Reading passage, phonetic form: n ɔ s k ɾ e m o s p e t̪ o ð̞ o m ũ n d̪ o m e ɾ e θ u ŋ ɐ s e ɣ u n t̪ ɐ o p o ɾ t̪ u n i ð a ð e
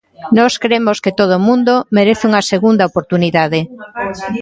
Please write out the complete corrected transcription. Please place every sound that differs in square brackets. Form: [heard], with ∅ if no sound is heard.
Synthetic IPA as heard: n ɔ s k ɾ e m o s [k] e t̪ o ð̞ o m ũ n d̪ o m e ɾ e θ u ŋ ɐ s e ɣ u n [d̪] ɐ o p o ɾ t̪ u n i ð a ð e